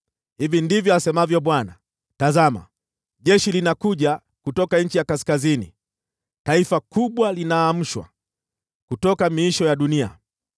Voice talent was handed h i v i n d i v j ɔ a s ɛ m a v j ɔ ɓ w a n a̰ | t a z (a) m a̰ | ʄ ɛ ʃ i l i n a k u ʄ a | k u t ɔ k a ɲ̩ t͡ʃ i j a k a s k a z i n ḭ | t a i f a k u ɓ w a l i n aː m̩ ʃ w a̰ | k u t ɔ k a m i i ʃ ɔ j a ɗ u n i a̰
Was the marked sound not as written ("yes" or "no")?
no